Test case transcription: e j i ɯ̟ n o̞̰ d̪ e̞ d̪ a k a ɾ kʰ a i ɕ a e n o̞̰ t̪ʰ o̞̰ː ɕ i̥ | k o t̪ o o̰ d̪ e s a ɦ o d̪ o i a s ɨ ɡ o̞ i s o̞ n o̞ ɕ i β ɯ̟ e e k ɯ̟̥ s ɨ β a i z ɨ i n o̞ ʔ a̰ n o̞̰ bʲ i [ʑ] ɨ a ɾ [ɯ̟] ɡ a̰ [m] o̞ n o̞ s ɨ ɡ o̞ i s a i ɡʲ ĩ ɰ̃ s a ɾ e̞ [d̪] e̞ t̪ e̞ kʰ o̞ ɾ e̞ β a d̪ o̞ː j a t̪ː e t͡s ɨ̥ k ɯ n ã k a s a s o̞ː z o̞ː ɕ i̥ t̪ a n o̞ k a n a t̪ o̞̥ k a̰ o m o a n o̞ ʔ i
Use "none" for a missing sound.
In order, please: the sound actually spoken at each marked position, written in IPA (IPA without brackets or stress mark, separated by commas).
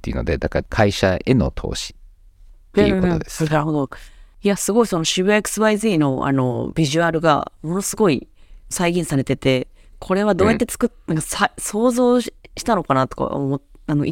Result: ʑ, ɯ̟, m, t̪